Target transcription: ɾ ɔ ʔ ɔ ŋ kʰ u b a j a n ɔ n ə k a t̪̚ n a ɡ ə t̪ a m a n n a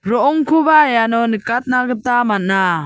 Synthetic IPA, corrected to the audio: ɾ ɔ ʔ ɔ ŋ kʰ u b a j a n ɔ n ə k a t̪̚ n a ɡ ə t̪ a m a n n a